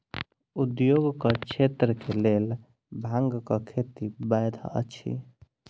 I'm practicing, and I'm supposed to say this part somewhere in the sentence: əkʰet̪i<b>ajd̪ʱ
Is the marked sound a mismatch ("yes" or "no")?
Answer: no